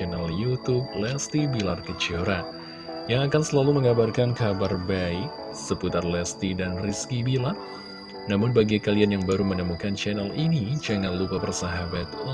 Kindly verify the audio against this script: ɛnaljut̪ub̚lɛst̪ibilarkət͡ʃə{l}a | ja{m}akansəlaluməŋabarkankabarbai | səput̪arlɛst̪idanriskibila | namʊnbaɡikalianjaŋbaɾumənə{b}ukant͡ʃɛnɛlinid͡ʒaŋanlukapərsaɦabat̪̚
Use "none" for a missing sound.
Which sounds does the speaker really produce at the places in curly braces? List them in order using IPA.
ɾ, ŋ, m

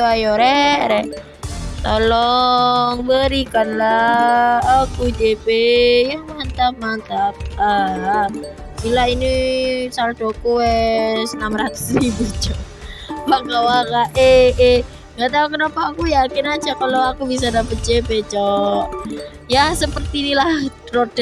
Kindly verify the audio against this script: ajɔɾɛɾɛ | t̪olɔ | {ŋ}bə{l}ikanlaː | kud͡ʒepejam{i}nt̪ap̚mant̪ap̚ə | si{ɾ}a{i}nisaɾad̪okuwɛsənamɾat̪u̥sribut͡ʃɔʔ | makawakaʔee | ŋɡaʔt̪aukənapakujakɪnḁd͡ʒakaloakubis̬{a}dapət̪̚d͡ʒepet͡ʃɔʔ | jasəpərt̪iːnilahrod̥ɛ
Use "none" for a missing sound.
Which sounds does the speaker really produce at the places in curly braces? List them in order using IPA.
ŋ, ɾ, a, l, i, a

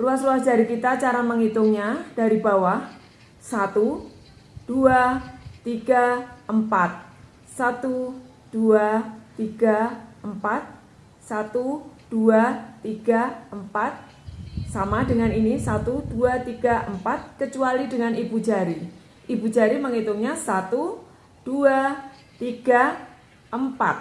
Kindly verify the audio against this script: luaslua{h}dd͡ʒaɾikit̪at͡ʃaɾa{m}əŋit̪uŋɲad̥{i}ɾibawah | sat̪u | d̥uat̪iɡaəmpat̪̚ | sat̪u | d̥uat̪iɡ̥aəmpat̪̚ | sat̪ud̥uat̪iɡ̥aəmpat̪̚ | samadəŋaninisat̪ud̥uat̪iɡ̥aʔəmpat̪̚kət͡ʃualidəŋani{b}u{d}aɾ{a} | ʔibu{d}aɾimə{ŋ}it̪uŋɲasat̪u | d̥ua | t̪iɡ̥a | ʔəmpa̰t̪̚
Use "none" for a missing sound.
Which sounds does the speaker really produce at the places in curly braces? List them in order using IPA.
s, m, a, b, d͡ʒ, i, d͡ʒ, ŋ

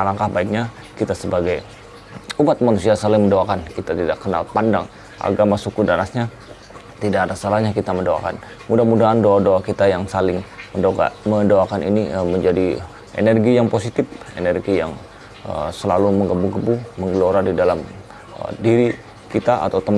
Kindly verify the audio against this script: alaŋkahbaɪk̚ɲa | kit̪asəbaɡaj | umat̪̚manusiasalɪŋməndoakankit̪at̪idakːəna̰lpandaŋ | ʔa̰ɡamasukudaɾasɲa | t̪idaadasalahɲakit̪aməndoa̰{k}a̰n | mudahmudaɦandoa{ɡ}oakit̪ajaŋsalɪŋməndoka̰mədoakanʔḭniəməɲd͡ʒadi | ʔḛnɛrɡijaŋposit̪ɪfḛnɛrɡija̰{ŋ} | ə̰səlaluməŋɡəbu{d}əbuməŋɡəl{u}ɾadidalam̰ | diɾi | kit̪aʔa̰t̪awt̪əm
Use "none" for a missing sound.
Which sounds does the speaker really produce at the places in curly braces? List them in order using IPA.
k, d, ŋ, ɡ, o

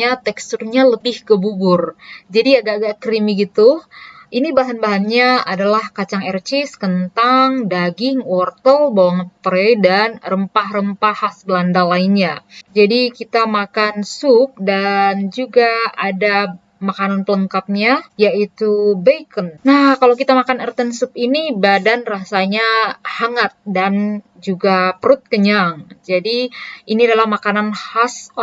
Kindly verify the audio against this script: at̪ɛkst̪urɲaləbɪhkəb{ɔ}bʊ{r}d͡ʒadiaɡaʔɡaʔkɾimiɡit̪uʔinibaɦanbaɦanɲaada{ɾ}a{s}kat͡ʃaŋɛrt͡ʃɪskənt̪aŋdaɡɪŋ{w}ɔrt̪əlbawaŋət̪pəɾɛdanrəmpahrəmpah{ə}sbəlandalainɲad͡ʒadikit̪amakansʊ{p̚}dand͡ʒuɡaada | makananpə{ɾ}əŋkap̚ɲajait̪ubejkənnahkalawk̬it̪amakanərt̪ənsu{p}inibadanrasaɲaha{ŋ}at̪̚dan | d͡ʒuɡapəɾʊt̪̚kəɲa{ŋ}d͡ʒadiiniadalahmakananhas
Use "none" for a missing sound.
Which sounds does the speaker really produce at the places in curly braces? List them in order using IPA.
u, r, l, h, w, a, p̚, l, p, ŋ, ŋ

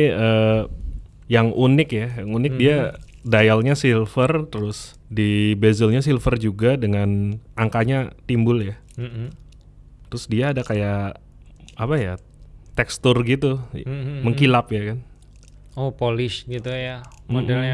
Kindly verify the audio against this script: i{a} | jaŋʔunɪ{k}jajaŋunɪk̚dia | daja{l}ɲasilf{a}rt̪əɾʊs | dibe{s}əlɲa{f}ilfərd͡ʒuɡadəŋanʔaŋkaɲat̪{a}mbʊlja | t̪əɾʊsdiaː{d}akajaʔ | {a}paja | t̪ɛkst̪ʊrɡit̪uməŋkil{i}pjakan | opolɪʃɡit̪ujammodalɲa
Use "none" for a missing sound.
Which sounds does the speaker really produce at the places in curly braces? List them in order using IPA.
ə, k, l, ə, z, s, i, d, a, a

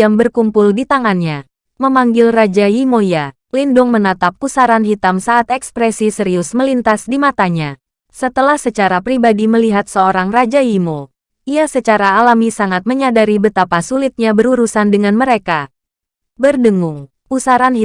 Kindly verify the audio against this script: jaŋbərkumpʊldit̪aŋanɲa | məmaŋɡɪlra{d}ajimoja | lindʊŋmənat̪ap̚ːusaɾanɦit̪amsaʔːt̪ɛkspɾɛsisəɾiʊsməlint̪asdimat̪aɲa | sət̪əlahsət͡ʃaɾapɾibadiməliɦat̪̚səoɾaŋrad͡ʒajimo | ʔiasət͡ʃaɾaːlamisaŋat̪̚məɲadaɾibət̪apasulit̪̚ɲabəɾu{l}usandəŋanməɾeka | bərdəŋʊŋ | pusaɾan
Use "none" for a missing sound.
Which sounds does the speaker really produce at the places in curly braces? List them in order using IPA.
d͡ʒ, ɾ

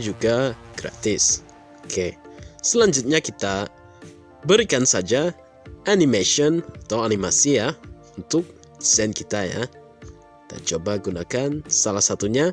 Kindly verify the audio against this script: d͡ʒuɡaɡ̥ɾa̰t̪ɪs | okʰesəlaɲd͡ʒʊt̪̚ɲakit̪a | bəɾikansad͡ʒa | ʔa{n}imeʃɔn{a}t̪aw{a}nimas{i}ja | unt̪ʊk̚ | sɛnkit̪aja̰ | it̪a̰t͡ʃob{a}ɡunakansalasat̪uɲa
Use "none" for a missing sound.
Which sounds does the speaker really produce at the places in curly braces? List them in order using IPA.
n, a, a, i, a

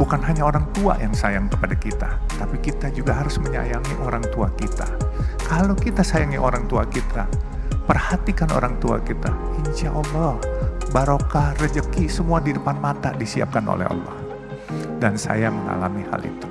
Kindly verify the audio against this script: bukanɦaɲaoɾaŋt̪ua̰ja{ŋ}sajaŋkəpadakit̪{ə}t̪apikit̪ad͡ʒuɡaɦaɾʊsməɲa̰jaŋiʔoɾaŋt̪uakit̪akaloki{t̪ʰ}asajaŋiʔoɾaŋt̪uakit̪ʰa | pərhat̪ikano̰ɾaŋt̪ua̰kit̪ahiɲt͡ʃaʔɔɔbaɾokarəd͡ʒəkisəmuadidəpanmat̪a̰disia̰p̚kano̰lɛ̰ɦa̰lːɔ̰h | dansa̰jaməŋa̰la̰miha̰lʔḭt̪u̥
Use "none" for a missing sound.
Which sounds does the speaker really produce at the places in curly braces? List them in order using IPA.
ŋ, a, t̪

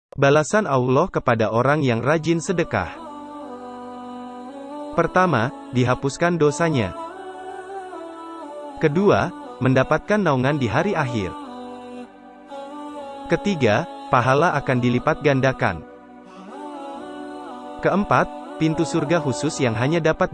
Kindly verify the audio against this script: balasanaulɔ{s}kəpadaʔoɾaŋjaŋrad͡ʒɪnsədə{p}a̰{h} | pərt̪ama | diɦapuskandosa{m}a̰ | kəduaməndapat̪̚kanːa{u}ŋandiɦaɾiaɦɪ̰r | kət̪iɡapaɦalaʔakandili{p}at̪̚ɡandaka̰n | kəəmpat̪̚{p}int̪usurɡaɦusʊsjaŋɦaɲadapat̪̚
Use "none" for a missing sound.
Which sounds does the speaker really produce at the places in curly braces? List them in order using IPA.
h, k, h, ɲ, u, p, p

